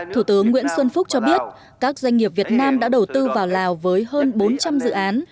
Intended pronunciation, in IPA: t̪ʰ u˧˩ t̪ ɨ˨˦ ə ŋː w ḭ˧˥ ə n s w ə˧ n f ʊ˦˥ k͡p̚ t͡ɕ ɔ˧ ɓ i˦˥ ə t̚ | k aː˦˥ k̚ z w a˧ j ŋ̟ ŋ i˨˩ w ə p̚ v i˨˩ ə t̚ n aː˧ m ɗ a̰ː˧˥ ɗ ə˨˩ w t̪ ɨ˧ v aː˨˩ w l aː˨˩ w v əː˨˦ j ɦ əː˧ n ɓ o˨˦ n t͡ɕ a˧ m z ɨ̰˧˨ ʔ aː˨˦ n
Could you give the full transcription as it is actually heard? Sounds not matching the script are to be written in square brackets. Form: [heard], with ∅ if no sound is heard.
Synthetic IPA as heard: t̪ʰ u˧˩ t̪ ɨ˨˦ ə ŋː w ḭ˧˥ ə n s w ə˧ n f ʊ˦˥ k͡p̚ t͡ɕ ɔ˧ ɓ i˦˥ ə t̚ | k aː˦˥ k̚ z w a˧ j ŋ̟ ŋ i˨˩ [∅] ə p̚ v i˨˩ ə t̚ n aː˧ m ɗ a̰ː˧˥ ɗ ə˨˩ w t̪ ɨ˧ v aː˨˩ w l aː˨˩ w v əː˨˦ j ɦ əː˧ n ɓ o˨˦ n t͡ɕ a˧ m z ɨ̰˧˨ ʔ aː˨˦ n